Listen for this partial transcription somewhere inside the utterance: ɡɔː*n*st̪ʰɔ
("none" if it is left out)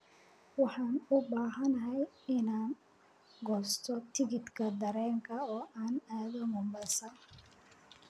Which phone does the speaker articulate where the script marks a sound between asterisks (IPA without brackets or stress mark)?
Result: none